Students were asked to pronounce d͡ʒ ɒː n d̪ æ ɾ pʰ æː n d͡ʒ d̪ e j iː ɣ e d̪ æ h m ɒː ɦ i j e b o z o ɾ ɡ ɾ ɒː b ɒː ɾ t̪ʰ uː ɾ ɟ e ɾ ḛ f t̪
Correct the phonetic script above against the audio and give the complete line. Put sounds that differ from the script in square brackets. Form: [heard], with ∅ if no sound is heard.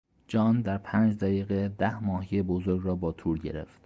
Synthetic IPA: d͡ʒ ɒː n d̪ æ ɾ pʰ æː n d͡ʒ d̪ [æ] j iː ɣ e d̪ æ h m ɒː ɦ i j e b o z o ɾ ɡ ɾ ɒː b ɒː [∅] t̪ʰ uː ɾ ɟ e ɾ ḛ f t̪